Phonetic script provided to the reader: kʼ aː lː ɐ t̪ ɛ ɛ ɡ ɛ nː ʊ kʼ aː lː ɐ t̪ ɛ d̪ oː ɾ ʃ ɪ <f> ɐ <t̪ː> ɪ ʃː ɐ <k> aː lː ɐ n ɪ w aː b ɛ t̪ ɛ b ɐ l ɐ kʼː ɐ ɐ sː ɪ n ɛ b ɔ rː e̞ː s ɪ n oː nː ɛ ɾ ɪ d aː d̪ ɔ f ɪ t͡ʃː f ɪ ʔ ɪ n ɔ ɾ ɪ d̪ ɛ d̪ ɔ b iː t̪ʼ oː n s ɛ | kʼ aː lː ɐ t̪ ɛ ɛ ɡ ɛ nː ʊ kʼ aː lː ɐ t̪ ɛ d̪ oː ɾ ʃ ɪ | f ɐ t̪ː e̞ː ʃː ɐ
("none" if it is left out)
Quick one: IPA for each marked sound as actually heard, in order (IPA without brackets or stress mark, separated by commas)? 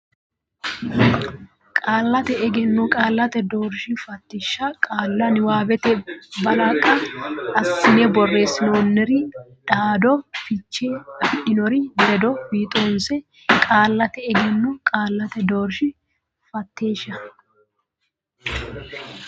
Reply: f, t̪ː, kʼ